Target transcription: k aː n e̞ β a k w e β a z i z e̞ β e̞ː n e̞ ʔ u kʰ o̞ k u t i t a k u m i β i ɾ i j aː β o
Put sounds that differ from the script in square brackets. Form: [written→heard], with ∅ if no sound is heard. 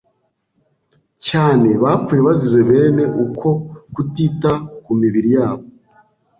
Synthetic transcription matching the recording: [k→c] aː n e̞ β a k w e β a z i z e̞ β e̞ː n e̞ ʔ u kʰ o̞ k u t i t a k u m i β i ɾ i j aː β o